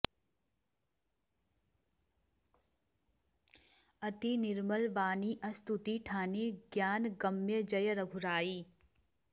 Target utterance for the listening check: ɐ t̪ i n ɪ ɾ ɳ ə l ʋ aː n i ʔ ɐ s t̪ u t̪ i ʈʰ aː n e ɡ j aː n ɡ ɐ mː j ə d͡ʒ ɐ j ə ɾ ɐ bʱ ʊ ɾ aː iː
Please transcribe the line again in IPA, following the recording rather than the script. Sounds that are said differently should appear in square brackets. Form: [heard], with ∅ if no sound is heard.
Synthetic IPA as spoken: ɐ t̪ i n ɪ ɾ [m] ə l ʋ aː n i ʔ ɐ s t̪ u t̪ i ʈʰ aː n e ɡ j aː n ɡ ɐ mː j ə d͡ʒ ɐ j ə ɾ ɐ [ɡʱ] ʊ ɾ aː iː

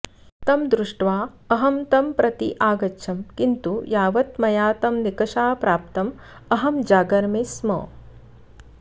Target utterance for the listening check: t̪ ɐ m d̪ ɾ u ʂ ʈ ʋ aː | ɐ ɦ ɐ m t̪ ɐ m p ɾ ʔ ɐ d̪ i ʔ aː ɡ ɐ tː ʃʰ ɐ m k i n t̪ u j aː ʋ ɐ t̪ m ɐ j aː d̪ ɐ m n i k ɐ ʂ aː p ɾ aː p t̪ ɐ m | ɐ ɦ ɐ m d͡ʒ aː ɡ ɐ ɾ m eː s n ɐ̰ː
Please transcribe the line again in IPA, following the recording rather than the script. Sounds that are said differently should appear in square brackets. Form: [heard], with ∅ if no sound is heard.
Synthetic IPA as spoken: t̪ ɐ m d̪ ɾ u ʂ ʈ ʋ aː | ɐ ɦ ɐ m t̪ ɐ m p ɾ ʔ ɐ [t̪] i ʔ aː ɡ ɐ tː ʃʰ ɐ m k i n t̪ u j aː ʋ ɐ t̪ m ɐ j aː [t̪] ɐ m n i k ɐ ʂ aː p ɾ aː p t̪ ɐ m | ɐ ɦ ɐ m d͡ʒ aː ɡ ɐ ɾ m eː s [m] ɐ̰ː

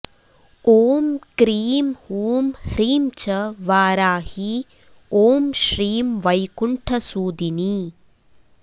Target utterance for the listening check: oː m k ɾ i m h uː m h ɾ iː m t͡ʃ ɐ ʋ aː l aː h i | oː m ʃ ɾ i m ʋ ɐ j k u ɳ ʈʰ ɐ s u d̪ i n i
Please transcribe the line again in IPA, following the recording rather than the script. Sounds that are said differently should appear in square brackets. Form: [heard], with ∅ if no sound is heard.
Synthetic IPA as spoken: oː m k ɾ [iː] m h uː m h ɾ iː m t͡ʃ ɐ ʋ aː [ɾ] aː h i | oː m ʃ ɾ [iː] m ʋ ɐ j k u ɳ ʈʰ ɐ s [uː] d̪ i n i

